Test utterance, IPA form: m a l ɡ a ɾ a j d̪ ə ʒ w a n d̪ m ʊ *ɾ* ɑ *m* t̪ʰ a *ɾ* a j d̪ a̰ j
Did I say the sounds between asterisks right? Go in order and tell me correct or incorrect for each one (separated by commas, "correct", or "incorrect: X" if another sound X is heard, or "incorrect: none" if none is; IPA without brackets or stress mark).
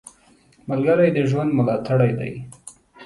incorrect: l, incorrect: none, incorrect: ɽ